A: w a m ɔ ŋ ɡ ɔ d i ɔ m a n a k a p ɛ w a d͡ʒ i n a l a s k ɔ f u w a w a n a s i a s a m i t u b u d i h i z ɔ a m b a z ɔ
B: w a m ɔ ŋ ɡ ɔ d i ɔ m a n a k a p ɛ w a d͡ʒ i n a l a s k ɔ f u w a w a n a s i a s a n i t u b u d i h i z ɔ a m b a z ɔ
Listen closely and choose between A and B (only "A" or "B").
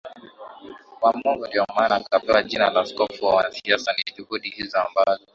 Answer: B